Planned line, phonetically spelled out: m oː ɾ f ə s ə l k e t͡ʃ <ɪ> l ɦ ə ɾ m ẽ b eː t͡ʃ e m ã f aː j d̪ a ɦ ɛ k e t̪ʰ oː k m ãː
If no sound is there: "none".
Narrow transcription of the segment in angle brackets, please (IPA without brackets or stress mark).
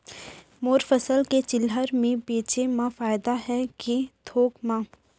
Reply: ɪ